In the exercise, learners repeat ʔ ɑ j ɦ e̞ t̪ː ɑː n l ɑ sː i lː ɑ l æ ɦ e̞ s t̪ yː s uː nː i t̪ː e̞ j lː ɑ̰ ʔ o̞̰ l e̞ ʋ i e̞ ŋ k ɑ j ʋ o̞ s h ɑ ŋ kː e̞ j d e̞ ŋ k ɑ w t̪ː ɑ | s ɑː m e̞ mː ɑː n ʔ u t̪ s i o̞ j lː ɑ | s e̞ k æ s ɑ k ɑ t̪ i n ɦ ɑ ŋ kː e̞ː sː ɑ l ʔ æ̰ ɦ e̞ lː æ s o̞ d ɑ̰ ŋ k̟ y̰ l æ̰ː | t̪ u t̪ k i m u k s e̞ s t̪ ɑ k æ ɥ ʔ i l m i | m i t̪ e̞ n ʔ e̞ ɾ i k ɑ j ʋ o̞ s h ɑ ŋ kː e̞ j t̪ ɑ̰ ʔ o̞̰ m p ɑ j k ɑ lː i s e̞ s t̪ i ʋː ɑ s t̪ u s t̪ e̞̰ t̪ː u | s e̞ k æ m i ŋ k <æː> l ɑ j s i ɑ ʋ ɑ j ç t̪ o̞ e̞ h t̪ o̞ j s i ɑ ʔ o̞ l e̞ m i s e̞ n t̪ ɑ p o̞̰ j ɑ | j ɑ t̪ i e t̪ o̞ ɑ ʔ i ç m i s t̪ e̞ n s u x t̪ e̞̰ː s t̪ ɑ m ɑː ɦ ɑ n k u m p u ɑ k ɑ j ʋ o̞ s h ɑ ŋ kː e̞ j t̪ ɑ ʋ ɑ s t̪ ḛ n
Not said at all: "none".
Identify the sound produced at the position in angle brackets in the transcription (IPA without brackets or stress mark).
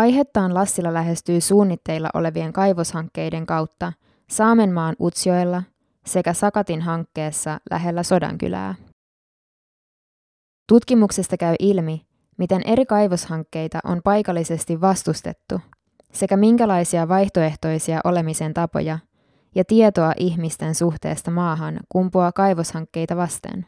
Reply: æ